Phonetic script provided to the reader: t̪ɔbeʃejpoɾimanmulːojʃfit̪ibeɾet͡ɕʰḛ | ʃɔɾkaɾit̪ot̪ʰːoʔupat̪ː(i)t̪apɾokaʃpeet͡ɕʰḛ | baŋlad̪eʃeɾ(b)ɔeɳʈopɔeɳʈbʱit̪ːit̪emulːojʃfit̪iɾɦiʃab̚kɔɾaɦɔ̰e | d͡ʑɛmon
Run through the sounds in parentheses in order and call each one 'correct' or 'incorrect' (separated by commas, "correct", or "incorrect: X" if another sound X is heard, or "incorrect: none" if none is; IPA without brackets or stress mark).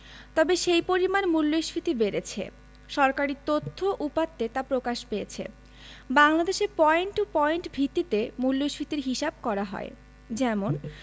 incorrect: e, incorrect: p